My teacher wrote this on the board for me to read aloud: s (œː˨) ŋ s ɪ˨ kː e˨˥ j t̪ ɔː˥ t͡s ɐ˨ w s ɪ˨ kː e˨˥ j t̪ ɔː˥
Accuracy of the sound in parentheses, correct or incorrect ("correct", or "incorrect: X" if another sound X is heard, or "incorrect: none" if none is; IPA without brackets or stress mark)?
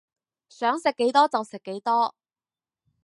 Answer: incorrect: œː˨˥